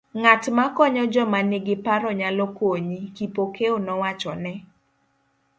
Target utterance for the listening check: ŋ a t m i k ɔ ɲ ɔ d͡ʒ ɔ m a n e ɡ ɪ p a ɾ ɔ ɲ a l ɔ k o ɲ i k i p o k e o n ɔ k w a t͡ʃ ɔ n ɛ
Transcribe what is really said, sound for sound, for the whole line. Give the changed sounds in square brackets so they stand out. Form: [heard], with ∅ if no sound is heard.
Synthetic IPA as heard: ŋ a t m [a] k ɔ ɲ ɔ d͡ʒ ɔ m a n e ɡ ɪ p a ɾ ɔ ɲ a l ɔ k o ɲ i k i p o k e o n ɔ [∅] w a t͡ʃ ɔ n ɛ